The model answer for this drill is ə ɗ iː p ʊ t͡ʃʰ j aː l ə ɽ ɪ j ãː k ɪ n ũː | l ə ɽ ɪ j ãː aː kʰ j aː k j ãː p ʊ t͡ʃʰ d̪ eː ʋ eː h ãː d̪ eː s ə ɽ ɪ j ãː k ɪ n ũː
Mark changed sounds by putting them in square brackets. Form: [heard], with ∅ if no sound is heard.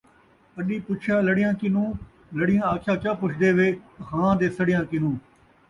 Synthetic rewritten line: ə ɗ iː p ʊ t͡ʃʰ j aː l ə ɽ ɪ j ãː k ɪ n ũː | l ə ɽ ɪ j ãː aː kʰ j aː k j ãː p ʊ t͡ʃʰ d̪ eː ʋ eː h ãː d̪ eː s ə ɽ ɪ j ãː k ɪ n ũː